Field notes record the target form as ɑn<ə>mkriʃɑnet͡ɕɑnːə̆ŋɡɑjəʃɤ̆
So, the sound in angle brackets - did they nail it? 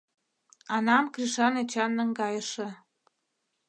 no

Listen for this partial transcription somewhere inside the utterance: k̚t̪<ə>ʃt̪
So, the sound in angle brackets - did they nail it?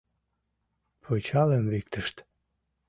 yes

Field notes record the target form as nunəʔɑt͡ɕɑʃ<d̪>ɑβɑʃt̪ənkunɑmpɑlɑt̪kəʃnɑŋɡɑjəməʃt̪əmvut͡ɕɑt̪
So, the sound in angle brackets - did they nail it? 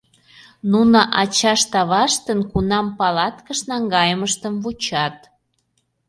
no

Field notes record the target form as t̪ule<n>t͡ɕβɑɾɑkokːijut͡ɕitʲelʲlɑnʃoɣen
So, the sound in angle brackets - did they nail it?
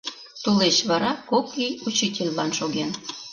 no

